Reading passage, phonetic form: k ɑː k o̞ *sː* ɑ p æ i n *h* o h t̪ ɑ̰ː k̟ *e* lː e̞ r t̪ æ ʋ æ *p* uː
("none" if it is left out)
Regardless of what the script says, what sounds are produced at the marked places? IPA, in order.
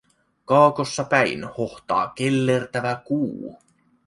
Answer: sː, h, e, k

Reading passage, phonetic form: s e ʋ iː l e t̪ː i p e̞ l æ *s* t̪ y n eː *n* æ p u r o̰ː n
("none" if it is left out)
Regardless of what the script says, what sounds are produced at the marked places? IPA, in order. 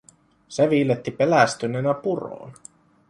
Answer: s, n

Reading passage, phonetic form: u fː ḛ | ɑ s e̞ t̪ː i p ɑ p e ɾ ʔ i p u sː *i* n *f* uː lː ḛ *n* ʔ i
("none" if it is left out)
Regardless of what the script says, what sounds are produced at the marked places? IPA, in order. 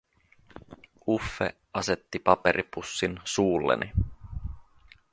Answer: i, s, n

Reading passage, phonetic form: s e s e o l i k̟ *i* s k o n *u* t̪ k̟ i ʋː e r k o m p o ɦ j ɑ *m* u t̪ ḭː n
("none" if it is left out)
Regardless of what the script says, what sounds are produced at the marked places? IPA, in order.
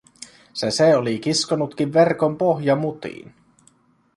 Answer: i, u, m

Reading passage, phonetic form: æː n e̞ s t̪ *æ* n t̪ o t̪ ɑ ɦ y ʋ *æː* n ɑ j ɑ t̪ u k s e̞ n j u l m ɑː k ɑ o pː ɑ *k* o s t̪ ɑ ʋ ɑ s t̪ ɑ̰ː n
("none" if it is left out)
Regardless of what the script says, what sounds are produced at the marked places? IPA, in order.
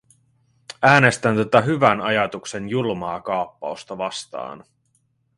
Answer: æ, æ, none

